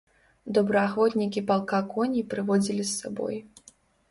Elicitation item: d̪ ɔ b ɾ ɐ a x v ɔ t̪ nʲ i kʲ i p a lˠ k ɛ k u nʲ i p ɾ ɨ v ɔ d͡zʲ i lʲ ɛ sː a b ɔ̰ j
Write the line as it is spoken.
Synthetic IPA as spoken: d̪ ɔ b ɾ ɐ a x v ɔ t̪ nʲ i kʲ i p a lˠ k a k ɔ nʲ i p ɾ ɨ v ɔ d͡zʲ i lʲ i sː a b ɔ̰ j